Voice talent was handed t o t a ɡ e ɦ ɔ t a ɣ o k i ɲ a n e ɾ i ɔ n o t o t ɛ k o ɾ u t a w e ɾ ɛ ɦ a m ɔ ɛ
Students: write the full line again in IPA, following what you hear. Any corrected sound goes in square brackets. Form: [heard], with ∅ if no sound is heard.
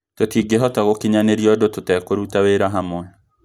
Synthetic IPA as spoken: t o t [i] ɡ e ɦ ɔ t a ɣ o k i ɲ a n e ɾ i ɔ [d] o t o t ɛ k o ɾ u t a w e ɾ [a] ɦ a m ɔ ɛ